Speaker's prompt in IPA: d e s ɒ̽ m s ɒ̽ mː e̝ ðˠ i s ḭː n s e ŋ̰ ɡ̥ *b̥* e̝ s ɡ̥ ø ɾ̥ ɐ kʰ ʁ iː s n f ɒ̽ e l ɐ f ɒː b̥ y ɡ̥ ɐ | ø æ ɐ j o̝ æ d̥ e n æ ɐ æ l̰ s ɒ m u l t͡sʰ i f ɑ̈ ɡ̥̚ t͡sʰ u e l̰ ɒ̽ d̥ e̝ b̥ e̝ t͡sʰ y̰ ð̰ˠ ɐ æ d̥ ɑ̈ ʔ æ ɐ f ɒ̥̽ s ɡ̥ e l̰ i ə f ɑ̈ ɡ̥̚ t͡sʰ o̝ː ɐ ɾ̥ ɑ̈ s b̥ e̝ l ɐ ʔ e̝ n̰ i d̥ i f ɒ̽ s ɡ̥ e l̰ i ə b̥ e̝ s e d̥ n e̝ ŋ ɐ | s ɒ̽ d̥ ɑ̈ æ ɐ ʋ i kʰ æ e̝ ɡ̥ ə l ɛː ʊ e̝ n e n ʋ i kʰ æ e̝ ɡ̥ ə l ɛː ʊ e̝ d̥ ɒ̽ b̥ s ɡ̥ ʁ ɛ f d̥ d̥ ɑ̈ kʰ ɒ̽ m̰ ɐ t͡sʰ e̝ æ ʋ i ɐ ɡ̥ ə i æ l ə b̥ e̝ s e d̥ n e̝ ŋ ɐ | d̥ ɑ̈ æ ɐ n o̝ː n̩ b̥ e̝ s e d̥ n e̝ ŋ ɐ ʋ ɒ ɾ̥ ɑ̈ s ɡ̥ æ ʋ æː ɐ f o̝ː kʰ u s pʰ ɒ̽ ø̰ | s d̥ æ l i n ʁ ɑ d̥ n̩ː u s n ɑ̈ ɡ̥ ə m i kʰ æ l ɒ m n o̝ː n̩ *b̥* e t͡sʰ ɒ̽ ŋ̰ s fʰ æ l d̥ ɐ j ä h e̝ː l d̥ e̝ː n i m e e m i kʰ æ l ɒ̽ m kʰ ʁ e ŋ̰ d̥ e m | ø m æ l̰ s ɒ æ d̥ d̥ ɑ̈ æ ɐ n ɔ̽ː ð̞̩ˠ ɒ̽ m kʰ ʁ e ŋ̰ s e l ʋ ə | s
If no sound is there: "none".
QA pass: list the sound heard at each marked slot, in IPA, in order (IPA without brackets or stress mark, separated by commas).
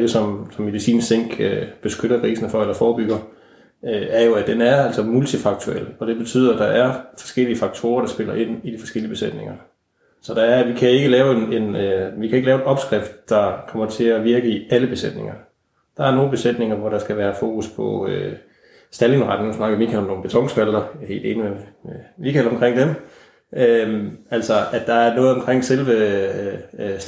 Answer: b̥, b̥